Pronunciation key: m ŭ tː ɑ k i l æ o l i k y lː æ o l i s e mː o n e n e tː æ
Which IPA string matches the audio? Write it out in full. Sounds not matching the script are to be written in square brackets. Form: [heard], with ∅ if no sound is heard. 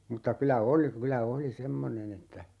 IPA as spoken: m ŭ tː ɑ k [y] l æ o l i k y [l] æ o l i s e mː o n e n e tː æ

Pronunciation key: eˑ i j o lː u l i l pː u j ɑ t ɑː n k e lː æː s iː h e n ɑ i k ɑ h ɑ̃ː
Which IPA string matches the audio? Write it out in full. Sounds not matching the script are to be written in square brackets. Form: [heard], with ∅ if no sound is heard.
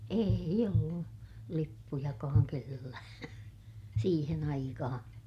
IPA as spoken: eˑ i j o lː u l i [∅] pː u j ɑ [k] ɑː [ŋ] k e lː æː s iː h e n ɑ i k ɑ h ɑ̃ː

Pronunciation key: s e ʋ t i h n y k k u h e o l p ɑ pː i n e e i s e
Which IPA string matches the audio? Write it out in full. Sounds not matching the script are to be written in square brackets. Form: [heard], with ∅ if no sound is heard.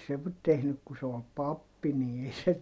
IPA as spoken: s e ʋ t [e] h n y k k u [s] e o l p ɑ pː i n [i] e i s e

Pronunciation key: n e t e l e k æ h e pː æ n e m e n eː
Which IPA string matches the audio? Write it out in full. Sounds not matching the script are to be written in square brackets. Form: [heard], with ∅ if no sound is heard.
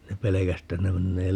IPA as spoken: n e [p] e l e k æ [s] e [tː] æ n e m e [nː] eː

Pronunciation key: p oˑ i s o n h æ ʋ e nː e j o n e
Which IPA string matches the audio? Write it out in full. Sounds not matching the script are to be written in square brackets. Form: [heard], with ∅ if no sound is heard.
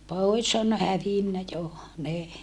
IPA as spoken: p oˑ i s o n h æ ʋ [i] nː [æ] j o n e

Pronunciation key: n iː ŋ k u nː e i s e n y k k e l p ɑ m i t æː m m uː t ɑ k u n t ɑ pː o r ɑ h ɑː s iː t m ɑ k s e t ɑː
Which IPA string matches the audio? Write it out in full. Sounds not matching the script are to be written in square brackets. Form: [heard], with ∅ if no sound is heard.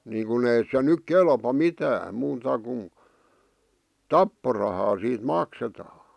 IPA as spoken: n iː ŋ k u [n] e i s e n y k k e l p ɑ m i t æː m m uː t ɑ k u n t ɑ pː o r ɑ h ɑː s iː t m ɑ k s e t ɑː

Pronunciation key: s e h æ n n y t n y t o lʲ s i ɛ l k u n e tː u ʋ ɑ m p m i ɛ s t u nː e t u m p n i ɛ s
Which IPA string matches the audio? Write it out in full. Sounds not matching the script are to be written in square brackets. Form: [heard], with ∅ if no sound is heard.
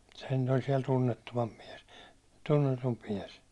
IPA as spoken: s e h æ n n y t n y t o lʲ s i ɛ l [t] u [nː] e tː u ʋ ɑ m p m i ɛ s t u nː e t u m p [m] i ɛ s

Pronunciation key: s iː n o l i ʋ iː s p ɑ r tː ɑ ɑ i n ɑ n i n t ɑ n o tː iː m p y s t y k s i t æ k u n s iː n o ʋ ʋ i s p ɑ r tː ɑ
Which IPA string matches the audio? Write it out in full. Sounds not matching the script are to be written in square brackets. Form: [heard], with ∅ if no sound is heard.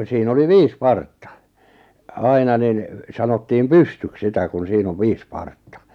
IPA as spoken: s iː n o l i ʋ iː s p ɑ r tː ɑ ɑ i n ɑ n i n [s] ɑ n o tː iː m p y s t y k s i t æ k u n s iː n o ʋ ʋ [iː] s p ɑ r tː ɑ

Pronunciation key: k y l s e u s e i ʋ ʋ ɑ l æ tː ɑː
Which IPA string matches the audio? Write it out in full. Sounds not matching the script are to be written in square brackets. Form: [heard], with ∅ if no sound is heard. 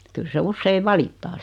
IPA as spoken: k y l s e u [sː] e i ʋ ʋ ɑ l [i] tː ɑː

